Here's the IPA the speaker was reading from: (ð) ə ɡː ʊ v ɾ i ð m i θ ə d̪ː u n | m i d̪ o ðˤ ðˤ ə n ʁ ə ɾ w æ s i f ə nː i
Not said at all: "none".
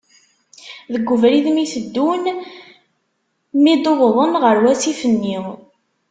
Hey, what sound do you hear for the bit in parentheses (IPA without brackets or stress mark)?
ð